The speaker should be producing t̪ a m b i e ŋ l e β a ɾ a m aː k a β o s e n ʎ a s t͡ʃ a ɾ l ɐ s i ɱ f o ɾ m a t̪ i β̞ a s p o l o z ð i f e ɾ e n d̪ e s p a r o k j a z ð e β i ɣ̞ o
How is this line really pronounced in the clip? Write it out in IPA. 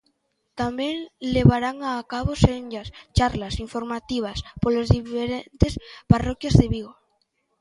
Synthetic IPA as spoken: t̪ a m b j e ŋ l e β a ɾ a ŋ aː k a β o s e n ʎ a s t͡ʃ a ɾ l a s i ɱ f o ɾ m a t̪ i β̞ a s p o l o z ð i f e ɾ e n t̪ e s p a r o k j a z ð e β i ɣ̞ o